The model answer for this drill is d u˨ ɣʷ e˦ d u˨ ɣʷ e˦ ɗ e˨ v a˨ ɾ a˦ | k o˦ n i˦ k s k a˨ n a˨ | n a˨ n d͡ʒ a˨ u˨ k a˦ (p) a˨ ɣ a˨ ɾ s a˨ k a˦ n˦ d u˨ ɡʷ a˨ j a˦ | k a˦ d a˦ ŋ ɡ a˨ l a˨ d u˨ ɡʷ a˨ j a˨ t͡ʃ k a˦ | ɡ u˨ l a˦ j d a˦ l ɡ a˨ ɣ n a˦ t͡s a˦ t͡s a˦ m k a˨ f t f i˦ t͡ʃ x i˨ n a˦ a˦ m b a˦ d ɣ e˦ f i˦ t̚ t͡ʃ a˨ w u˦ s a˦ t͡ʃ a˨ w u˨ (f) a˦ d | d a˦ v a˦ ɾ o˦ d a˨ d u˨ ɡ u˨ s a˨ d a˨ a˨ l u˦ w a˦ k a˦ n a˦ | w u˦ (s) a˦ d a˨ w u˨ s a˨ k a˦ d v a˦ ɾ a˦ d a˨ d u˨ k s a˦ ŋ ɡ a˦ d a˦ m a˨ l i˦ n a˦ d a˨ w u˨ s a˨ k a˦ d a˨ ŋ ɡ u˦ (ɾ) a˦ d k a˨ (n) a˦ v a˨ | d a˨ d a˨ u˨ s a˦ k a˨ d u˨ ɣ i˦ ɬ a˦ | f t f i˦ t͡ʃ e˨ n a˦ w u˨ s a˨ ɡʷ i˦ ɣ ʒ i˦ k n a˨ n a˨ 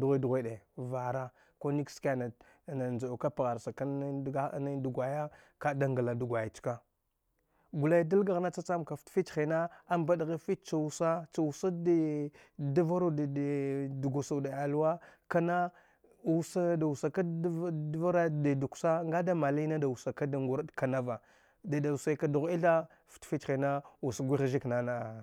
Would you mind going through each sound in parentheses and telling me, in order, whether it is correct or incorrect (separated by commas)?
correct, incorrect, correct, correct, correct